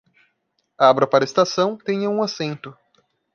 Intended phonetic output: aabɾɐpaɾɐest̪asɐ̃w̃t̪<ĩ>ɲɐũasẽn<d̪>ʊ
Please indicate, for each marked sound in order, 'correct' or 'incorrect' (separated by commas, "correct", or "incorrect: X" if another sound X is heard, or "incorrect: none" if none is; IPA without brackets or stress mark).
incorrect: ẽ, incorrect: t̪